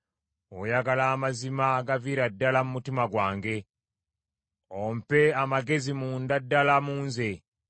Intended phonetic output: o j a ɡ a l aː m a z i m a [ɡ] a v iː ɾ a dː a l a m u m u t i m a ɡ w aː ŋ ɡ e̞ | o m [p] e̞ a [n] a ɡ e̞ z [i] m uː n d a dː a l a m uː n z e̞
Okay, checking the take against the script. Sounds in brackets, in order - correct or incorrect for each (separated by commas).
correct, correct, incorrect, correct